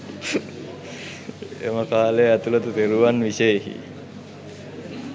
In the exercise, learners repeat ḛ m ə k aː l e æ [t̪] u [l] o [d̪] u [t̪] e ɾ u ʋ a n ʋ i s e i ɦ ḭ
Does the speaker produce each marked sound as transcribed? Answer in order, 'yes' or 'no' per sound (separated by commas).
yes, yes, no, yes